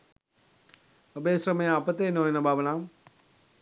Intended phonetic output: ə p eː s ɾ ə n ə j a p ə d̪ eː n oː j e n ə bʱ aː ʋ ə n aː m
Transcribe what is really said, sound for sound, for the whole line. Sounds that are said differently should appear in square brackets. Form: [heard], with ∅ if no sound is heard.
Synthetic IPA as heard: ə [b] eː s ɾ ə [m] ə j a p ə [t̪] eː n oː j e n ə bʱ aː ʋ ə n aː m